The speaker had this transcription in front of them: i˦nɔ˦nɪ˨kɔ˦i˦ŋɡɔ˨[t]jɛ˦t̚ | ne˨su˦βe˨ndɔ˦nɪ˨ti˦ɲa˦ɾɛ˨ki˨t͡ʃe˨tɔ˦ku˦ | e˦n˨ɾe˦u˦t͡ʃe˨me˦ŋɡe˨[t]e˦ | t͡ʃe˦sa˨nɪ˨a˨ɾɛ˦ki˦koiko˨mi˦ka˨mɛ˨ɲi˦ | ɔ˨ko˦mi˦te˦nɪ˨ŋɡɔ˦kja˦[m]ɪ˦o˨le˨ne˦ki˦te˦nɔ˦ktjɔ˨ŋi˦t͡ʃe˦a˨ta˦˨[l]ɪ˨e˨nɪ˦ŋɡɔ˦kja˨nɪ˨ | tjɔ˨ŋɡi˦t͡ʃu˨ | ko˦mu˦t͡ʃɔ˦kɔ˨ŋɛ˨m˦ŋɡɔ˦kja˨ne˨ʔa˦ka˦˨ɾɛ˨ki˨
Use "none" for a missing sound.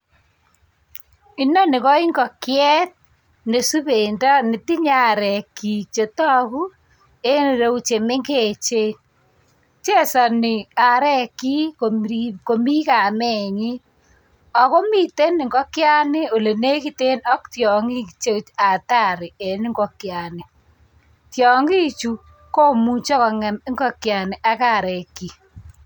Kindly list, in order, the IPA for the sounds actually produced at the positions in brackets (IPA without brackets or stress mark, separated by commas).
k, t͡ʃ, n, ɾ